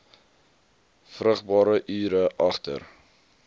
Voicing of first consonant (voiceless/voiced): voiceless